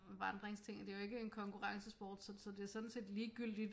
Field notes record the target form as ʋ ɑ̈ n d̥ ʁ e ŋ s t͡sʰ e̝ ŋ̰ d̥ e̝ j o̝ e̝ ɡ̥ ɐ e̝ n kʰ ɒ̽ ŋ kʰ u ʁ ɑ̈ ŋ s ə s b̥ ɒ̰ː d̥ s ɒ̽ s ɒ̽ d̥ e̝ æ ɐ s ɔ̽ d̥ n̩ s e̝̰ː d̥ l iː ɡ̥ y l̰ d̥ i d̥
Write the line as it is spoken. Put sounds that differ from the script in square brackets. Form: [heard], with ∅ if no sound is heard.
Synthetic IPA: ʋ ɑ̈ n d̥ ʁ e ŋ s t͡sʰ e̝ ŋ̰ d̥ e̝ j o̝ e̝ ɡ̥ [ə] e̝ n kʰ ɒ̽ ŋ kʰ u ʁ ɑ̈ ŋ s ə s b̥ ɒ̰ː d̥ s ɒ̽ s ɒ̽ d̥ e̝ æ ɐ s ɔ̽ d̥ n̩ s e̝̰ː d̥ l iː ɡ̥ y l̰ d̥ i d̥